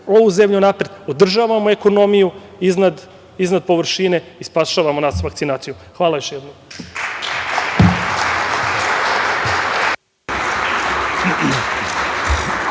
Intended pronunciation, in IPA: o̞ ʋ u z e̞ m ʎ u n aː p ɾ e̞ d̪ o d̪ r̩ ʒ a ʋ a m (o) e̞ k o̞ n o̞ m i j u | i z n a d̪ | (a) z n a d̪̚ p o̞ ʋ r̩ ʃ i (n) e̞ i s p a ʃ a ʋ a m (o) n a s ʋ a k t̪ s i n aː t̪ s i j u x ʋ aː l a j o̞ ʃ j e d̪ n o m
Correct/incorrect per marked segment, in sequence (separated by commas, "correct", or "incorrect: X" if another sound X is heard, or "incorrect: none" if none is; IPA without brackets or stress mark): correct, incorrect: i, correct, correct